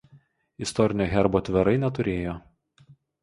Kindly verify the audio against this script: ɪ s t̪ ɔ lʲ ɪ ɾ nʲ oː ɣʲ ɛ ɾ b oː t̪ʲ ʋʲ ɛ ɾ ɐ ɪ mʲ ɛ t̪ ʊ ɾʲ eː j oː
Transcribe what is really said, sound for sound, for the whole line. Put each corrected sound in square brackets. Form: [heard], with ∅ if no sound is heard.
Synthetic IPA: ɪ s t̪ ɔ [ɾʲ] ɪ [∅] nʲ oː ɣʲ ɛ ɾ b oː t̪ʲ ʋʲ ɛ ɾ ɐ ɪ [nʲ] ɛ t̪ ʊ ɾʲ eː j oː